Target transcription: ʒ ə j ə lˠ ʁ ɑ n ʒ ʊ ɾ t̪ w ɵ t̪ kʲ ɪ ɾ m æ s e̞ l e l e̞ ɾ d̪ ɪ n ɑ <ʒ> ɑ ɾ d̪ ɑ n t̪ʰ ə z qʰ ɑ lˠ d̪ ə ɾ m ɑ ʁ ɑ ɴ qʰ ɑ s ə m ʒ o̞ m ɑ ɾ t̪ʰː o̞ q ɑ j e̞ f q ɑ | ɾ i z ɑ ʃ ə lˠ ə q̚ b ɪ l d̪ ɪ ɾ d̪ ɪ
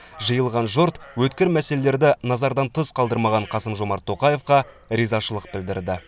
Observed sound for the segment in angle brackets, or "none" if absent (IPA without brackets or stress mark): z